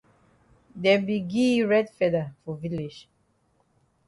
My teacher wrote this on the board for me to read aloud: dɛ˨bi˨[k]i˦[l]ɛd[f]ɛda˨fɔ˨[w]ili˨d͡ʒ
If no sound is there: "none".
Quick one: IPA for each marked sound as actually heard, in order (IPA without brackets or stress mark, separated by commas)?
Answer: ɡ, ɹ, f, v